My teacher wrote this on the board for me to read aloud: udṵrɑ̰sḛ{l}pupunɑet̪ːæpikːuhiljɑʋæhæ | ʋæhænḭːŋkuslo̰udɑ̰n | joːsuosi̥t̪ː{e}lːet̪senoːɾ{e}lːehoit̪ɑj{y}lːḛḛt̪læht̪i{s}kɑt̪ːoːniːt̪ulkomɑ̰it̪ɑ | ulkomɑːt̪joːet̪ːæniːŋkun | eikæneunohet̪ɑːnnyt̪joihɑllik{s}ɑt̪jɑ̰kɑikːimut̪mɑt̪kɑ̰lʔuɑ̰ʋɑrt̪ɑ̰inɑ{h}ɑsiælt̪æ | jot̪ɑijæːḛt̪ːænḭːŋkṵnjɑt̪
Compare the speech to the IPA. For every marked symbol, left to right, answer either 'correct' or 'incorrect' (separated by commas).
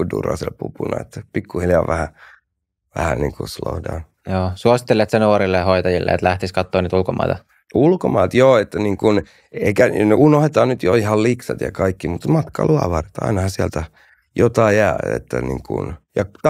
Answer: correct, correct, incorrect, incorrect, correct, correct, correct